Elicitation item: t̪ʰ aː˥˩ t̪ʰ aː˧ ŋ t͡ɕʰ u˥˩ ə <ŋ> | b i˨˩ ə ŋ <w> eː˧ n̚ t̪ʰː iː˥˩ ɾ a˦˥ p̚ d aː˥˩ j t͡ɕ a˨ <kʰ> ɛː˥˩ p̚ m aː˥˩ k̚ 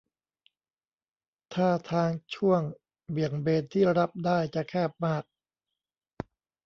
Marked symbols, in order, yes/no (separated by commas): yes, no, yes